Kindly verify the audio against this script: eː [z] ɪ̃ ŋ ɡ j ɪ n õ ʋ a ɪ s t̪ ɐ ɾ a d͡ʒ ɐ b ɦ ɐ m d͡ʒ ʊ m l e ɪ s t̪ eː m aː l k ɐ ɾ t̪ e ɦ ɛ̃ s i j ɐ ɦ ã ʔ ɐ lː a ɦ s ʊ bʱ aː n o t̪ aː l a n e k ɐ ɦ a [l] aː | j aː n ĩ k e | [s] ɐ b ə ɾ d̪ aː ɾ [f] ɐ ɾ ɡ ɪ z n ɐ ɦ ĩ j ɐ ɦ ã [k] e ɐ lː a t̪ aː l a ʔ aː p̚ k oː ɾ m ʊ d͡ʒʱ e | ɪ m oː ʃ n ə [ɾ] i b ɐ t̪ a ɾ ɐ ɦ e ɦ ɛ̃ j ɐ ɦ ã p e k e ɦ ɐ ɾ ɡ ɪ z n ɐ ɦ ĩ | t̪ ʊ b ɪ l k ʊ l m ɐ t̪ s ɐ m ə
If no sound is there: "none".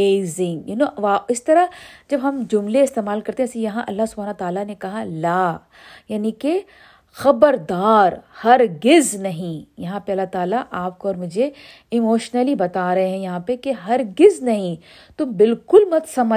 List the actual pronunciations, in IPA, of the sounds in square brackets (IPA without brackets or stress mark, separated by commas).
z, l, x, h, p, l